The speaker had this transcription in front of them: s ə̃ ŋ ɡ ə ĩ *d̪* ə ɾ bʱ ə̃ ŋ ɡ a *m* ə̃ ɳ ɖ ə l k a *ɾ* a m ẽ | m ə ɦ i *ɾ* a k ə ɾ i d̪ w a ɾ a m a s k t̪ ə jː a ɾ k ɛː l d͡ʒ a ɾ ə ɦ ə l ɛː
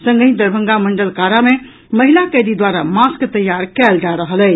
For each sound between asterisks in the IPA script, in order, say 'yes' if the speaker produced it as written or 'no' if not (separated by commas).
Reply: yes, yes, yes, no